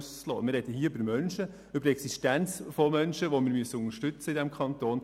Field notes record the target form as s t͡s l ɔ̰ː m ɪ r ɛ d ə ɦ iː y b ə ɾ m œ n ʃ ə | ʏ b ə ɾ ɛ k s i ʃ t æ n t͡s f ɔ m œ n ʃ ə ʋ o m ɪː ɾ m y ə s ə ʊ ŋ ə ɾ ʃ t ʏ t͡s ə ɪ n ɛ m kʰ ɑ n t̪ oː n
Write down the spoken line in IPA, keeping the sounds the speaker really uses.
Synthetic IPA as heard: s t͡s l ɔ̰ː m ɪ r ɛ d ə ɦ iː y b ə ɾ m œ n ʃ ə | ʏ b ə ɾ ɛ k s i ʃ t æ n t͡s f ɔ m œ n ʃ ə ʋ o m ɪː ɾ m y ə s ə ʊ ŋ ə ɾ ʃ t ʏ t͡s ə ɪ d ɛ m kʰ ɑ n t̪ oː n